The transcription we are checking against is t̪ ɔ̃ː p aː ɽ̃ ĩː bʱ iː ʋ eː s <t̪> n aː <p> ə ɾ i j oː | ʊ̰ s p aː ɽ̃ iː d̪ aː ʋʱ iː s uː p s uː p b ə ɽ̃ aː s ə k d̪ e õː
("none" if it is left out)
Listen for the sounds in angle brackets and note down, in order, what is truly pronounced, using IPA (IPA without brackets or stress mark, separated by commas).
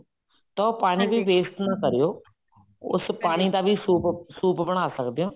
t̪, k